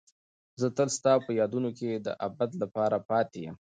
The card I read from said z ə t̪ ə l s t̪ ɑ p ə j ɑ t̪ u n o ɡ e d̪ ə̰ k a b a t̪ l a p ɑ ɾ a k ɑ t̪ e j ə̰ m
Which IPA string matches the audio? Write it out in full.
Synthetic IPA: z ə t̪ ə l s t̪ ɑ p ə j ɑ d̪ u n o k e d̪ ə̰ ʔ a b a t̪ l a p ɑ ɾ a p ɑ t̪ e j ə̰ m